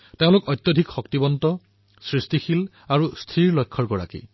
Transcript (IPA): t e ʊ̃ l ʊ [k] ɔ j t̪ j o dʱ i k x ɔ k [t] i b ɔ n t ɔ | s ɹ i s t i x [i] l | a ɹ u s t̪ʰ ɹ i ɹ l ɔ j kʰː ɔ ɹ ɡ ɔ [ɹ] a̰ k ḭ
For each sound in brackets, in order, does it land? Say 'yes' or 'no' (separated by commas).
yes, yes, yes, yes